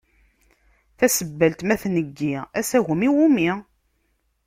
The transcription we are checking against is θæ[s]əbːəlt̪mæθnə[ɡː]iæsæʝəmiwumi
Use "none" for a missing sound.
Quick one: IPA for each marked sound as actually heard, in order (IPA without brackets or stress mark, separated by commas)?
s, ɡː